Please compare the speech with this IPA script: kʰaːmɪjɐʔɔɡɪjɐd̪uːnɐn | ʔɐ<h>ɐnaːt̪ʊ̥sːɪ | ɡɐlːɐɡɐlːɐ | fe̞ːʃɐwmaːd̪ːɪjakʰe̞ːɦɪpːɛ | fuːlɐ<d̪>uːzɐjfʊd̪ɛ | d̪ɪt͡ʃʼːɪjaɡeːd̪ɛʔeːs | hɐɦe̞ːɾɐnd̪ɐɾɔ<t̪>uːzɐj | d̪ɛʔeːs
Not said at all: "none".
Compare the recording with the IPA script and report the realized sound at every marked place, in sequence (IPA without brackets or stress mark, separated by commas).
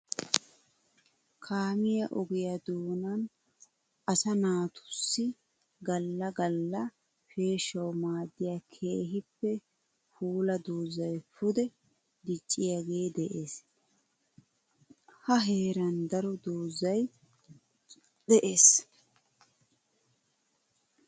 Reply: s, d̪, d̪